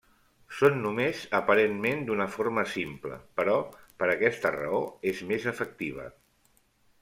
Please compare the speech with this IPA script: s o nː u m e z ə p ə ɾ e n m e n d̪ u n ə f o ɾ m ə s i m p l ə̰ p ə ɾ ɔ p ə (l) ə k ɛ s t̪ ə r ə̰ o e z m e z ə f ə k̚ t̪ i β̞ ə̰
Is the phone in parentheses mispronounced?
yes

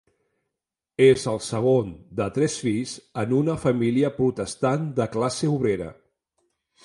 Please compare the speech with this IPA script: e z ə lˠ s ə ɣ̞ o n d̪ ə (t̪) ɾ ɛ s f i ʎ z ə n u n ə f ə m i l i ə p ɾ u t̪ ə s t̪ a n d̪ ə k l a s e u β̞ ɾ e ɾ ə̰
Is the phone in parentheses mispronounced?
no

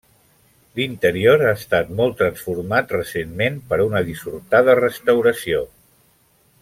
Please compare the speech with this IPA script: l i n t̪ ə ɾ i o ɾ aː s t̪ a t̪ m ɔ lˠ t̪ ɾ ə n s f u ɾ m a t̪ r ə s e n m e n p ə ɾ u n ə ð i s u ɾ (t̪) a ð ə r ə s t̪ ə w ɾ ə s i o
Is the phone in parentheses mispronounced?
no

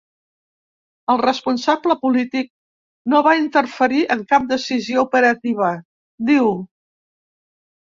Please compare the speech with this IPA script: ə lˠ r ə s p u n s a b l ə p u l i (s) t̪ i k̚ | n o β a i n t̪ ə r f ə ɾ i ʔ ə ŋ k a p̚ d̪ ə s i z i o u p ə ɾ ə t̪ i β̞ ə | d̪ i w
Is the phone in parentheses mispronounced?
yes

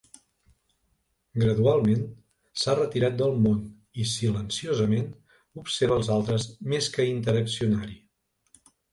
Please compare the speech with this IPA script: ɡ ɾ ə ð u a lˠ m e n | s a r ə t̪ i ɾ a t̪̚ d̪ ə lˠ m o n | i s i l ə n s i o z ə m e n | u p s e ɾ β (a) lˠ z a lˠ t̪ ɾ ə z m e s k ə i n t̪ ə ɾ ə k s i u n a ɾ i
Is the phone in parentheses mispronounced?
yes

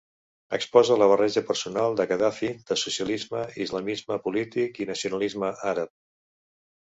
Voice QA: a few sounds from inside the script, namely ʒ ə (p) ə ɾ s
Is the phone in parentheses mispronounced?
no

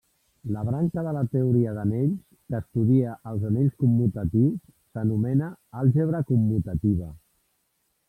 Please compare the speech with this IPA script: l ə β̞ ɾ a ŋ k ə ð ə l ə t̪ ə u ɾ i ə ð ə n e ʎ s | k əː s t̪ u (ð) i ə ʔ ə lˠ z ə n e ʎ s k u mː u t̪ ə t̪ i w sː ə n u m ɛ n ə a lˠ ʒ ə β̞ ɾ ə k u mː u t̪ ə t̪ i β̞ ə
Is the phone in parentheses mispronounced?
no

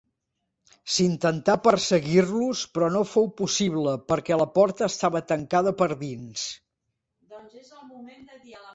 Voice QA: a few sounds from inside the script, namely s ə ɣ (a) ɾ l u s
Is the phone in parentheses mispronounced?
yes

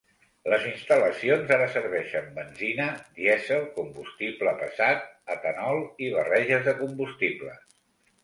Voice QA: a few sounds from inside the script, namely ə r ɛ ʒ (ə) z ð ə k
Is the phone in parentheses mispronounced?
no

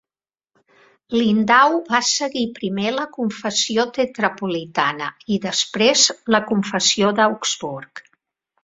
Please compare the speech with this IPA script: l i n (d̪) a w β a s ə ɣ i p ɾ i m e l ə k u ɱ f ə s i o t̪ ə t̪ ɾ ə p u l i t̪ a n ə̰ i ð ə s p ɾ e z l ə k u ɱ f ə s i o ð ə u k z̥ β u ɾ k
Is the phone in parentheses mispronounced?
no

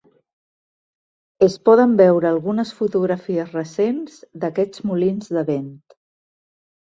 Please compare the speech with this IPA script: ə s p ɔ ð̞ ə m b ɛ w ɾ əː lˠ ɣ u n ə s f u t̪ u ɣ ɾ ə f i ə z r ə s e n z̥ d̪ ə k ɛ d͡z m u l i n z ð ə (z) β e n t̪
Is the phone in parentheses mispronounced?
yes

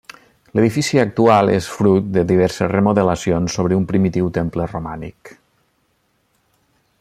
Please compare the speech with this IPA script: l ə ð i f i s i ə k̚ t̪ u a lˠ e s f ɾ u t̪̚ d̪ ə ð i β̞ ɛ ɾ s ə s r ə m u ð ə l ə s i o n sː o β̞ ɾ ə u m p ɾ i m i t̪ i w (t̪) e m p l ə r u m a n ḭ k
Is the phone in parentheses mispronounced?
no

